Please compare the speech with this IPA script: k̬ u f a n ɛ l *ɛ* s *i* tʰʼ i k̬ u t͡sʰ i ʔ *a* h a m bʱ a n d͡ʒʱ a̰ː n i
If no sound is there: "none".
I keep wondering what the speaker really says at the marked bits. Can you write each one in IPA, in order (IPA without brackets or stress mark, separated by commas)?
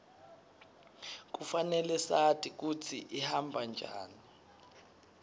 ɛ, a, i